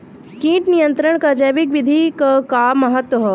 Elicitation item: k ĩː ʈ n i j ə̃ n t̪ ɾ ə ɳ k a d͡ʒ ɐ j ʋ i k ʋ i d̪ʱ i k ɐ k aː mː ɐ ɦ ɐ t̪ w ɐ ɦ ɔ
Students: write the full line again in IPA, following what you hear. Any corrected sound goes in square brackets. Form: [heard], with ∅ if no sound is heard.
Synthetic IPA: k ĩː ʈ n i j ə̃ n t̪ ɾ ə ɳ k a d͡ʒ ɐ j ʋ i k ʋ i d̪ʱ i k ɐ k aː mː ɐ ɦ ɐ t̪ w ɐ ɦ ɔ